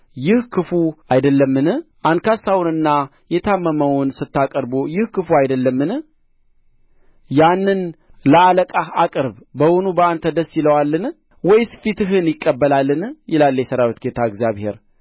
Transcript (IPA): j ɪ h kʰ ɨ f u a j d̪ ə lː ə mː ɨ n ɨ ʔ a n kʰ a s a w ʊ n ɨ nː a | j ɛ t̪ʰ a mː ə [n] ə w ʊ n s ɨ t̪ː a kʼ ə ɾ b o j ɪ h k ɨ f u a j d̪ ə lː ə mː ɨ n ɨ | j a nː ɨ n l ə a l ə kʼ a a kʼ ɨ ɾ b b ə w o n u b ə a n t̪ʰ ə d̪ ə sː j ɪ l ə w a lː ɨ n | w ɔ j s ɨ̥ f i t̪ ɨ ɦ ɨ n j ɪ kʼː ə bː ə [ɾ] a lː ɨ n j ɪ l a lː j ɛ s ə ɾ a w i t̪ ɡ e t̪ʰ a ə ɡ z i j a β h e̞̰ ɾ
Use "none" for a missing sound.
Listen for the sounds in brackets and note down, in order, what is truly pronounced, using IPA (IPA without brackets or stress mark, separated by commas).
m, l